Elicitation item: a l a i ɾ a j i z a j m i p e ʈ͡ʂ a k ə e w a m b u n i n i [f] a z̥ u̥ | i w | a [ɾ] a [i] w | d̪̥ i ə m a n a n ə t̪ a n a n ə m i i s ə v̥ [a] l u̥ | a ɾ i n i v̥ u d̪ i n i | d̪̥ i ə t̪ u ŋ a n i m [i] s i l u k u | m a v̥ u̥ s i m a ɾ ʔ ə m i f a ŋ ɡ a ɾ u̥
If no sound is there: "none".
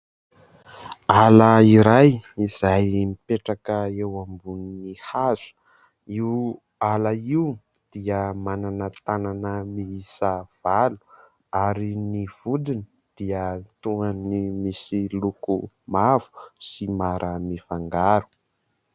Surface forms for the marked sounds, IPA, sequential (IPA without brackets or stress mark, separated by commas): h, l, i, a, i